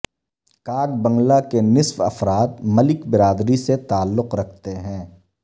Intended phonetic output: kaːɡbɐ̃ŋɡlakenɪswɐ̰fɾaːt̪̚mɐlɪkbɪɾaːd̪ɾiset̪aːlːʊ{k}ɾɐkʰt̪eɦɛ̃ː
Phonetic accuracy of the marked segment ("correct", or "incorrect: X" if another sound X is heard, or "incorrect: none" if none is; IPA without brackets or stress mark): incorrect: q